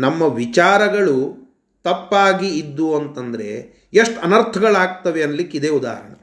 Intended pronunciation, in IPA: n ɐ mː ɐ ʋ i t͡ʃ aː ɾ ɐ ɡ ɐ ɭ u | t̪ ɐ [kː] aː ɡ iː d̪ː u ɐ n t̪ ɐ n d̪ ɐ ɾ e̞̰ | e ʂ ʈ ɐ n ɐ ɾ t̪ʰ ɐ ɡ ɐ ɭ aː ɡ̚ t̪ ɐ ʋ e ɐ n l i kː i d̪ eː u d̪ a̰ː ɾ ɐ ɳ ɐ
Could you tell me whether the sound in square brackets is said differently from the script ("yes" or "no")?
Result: yes